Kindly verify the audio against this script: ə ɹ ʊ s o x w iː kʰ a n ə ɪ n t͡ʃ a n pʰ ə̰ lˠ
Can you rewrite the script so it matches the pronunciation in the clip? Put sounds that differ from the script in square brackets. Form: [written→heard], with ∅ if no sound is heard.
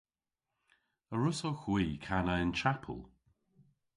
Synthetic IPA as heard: ə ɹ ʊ s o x w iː kʰ a n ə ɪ n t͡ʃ a [n→∅] pʰ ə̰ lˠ